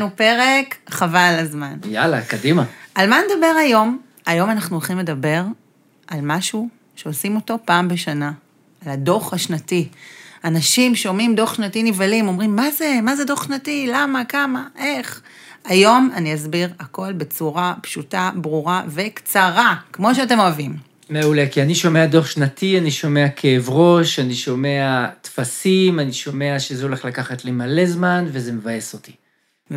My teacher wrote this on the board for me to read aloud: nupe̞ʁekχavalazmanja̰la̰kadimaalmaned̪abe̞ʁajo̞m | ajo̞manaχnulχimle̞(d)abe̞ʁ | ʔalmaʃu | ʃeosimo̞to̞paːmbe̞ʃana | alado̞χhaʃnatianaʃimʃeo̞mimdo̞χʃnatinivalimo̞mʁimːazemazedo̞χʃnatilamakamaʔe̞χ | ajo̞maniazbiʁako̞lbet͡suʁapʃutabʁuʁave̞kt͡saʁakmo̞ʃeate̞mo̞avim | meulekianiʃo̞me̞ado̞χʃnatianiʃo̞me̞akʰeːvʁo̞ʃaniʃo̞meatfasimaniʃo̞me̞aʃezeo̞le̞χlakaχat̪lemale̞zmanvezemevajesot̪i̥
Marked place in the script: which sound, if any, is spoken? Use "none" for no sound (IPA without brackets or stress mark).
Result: d